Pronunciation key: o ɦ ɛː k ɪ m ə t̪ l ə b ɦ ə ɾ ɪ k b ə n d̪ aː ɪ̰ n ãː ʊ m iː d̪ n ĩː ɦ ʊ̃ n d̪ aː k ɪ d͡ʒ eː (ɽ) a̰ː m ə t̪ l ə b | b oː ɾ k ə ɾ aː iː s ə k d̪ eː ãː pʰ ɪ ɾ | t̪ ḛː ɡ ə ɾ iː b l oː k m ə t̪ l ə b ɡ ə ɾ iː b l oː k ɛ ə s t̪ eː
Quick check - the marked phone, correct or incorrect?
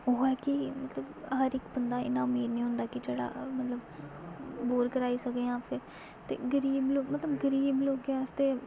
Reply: correct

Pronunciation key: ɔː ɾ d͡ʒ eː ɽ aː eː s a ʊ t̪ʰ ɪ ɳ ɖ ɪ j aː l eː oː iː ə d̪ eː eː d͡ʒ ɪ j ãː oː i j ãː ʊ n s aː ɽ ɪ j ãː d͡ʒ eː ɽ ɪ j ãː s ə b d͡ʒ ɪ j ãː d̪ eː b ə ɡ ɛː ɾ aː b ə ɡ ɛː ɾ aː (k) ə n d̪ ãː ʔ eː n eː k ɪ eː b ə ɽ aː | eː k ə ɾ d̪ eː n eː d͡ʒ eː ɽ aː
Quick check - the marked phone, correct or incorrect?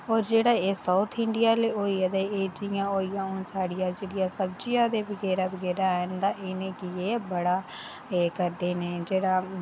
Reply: incorrect: none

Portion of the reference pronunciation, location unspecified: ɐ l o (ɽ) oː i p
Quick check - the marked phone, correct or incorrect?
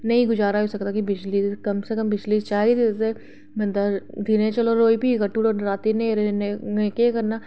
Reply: incorrect: ɾ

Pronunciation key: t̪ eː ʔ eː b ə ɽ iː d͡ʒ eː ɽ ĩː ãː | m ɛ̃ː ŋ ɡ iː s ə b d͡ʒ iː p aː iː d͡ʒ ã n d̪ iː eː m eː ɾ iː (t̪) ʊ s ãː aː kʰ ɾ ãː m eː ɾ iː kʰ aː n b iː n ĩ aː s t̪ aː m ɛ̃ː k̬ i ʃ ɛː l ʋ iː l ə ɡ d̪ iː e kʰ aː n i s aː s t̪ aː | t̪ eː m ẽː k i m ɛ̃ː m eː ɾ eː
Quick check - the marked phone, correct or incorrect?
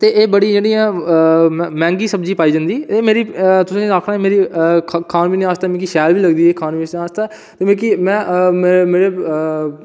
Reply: correct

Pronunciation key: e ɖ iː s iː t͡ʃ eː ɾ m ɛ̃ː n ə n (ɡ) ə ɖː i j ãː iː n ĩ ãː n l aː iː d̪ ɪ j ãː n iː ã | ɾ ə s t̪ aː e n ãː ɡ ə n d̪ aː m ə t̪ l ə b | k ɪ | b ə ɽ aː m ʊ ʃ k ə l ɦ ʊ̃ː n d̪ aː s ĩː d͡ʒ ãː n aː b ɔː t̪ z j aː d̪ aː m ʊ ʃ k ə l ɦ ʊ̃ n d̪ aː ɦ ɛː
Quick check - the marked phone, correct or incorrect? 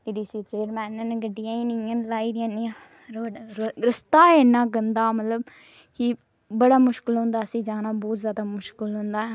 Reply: correct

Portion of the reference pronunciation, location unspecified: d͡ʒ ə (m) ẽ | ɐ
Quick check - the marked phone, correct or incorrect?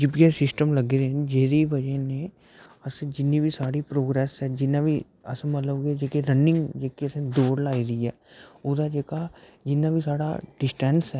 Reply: incorrect: n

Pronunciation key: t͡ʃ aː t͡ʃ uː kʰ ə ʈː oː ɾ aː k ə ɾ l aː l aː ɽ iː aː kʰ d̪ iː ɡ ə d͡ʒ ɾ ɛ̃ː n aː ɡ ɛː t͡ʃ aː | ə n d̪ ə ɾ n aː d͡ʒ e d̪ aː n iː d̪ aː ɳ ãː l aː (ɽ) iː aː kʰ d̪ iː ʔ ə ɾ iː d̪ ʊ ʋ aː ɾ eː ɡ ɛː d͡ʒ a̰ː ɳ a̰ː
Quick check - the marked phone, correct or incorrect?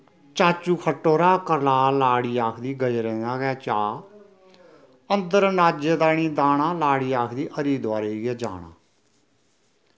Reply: correct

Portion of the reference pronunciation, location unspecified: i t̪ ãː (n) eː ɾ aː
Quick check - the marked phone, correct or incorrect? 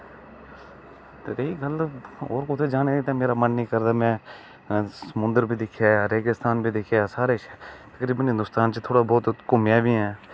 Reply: incorrect: m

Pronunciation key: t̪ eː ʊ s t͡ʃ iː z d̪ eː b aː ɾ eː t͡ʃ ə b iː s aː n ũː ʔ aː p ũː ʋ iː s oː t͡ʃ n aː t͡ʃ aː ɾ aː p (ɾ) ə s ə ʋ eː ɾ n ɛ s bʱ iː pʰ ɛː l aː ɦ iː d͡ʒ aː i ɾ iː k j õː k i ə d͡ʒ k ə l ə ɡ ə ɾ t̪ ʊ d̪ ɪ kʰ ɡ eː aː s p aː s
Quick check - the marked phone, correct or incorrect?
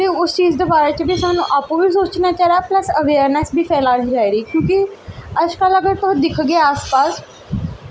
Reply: incorrect: l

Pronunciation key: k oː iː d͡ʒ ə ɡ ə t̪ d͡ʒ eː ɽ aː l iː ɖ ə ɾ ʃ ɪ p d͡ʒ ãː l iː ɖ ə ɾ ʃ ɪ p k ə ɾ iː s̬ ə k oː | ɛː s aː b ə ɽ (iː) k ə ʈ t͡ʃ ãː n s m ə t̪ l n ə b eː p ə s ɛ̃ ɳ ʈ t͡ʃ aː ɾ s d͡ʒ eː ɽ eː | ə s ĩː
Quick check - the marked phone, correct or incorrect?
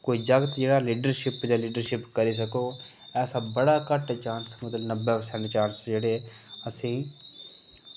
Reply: incorrect: aː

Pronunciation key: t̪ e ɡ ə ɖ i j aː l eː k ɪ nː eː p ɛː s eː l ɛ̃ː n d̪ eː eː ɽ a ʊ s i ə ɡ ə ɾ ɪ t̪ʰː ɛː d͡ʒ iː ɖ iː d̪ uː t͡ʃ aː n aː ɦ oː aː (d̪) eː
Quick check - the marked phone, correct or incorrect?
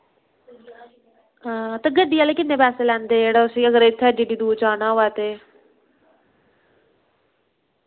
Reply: incorrect: t̪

